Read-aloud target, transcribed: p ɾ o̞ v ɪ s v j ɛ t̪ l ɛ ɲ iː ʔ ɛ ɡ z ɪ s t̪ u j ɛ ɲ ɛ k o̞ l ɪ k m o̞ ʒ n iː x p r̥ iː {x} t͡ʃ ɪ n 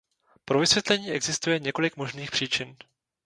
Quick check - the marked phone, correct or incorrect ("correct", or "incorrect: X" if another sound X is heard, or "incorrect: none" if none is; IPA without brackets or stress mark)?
incorrect: none